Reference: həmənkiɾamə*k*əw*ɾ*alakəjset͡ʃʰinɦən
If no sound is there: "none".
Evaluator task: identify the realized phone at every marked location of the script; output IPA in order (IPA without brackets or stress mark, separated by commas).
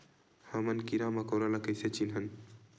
k, ɾ